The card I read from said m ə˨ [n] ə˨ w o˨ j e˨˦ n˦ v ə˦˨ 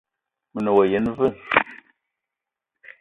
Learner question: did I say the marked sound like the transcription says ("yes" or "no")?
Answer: yes